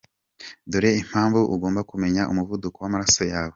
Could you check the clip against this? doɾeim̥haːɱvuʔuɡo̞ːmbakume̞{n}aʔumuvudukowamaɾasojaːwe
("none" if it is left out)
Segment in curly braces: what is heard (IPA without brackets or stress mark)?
ɲ